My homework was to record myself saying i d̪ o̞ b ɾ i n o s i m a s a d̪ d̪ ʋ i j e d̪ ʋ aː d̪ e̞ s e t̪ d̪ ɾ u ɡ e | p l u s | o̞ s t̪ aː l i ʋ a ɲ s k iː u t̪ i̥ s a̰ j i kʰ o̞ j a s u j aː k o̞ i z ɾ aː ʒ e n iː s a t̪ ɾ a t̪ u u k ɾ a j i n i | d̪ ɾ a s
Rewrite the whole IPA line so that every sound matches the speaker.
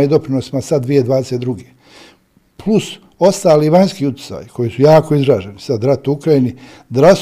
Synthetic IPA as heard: i d̪ o̞ p ɾ i n o s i m a s a d̪ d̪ ʋ i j e d̪ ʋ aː d̪ e̞ s e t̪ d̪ ɾ u ɡ e | p l u s | o̞ s t̪ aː l i ʋ a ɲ s k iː u t̪ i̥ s a̰ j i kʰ o̞ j i s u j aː k o̞ i z ɾ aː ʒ e n i s a d̪ ɾ a t̪ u u k ɾ a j i n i | d̪ ɾ a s